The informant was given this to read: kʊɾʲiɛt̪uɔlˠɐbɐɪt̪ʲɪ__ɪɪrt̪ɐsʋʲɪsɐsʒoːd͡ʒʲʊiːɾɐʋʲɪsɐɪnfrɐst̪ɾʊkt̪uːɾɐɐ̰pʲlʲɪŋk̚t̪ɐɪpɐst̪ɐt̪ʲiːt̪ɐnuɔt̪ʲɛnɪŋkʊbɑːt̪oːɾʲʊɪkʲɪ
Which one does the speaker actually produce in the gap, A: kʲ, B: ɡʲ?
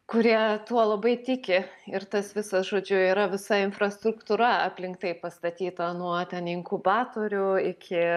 A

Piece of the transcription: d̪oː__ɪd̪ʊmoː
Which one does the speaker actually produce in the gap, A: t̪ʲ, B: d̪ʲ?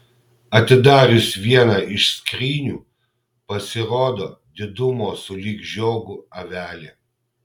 B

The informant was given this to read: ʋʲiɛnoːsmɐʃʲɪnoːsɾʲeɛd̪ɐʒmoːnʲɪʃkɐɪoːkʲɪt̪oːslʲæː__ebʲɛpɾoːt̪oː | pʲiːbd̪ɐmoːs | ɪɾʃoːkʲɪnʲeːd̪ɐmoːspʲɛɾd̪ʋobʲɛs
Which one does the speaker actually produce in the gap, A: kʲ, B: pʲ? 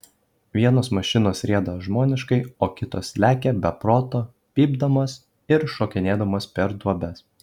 A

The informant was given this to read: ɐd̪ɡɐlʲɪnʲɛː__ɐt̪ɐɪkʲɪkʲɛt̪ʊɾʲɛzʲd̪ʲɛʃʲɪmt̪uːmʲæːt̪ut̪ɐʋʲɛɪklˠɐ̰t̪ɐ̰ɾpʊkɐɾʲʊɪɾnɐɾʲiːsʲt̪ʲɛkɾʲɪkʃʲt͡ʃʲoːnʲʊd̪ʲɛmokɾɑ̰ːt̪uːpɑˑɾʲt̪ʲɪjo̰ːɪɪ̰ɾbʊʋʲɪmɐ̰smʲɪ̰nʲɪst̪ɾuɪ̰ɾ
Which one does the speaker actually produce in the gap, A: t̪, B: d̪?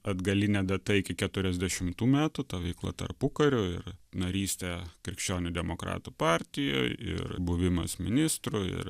B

